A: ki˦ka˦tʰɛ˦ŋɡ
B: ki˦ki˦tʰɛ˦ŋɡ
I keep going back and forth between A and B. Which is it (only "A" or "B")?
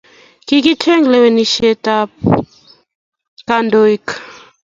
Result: B